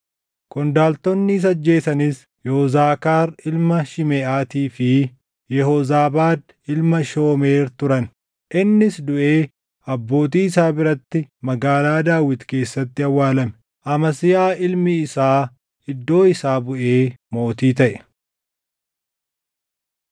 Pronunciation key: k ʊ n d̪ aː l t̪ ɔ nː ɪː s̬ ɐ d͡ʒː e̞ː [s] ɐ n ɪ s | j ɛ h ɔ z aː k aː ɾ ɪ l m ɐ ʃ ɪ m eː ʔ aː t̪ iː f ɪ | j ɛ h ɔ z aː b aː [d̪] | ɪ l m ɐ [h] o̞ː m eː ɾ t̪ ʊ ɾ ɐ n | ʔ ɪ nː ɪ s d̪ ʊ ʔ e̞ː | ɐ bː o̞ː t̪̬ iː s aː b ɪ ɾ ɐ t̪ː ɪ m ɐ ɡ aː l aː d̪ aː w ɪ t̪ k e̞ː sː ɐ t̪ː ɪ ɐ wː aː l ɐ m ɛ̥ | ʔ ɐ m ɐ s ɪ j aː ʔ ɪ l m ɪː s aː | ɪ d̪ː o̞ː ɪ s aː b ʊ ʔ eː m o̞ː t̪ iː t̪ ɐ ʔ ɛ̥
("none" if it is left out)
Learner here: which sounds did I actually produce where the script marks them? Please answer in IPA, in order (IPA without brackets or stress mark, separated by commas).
s, d̪, ʃ